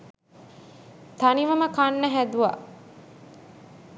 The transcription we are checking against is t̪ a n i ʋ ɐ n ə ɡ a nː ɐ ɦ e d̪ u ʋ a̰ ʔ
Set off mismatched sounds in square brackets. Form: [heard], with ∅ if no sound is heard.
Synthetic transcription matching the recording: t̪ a n i ʋ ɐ [m] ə [k] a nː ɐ ɦ [æ] d̪ u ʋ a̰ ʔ